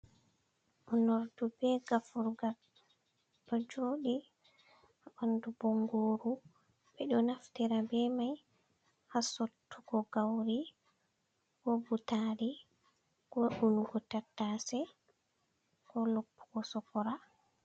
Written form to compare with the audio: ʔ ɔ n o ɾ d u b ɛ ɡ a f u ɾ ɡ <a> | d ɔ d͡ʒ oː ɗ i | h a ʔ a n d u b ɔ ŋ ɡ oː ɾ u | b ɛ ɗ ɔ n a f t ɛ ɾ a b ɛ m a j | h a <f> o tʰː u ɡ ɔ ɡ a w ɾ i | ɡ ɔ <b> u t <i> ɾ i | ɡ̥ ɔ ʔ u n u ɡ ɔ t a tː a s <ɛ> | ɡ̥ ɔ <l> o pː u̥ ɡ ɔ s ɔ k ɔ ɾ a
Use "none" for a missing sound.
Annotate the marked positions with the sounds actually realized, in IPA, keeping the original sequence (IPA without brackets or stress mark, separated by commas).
a, s, b, a, ɛ, l